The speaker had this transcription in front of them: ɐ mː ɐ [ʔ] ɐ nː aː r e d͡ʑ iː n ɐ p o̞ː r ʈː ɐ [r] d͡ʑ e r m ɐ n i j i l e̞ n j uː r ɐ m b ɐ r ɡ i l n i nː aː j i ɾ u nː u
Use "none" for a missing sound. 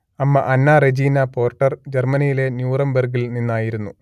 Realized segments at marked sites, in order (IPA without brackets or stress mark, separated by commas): ʔ, r